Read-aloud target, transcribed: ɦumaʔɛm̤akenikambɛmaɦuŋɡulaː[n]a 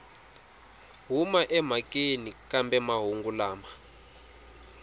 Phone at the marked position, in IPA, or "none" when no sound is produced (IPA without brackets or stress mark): m